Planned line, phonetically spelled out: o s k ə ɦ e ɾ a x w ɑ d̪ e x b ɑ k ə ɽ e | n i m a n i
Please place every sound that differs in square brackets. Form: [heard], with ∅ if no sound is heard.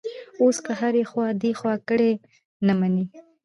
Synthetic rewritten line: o s k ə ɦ [a] ɾ [e] x w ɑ d̪ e x [w] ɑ k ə ɽ e | n [a] m a n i